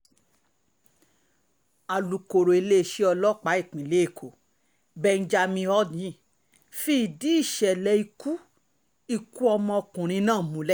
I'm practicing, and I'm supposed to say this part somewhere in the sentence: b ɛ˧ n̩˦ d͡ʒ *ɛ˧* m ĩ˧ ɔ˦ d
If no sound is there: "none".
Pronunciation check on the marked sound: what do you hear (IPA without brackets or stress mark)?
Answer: a˧